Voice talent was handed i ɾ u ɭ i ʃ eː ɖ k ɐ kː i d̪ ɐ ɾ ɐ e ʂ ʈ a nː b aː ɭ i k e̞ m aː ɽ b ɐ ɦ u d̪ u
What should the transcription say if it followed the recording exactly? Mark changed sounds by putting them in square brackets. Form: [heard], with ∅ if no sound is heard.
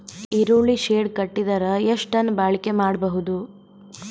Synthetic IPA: i ɾ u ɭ i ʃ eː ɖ k ɐ [ʈː] i d̪ ɐ ɾ ɐ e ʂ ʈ [ɐ] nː b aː ɭ i k e̞ m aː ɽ b ɐ ɦ u d̪ u